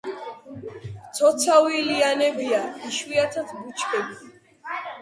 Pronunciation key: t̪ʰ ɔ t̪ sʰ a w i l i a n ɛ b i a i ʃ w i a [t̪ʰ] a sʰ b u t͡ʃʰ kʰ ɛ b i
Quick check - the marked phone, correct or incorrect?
correct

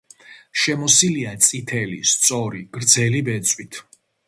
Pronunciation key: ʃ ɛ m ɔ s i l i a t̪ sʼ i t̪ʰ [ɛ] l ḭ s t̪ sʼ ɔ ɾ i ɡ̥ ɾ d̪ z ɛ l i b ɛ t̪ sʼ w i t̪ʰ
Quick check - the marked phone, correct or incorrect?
correct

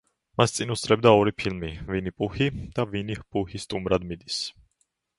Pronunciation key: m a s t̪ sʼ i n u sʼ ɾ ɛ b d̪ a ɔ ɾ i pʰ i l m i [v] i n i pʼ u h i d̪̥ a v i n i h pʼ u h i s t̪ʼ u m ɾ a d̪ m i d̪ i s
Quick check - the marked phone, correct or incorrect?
correct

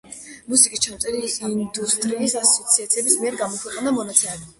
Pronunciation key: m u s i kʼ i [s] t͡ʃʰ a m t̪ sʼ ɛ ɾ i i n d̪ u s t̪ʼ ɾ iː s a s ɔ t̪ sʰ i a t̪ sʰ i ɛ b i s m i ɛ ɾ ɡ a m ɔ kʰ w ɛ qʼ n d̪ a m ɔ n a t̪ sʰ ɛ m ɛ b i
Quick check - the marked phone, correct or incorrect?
correct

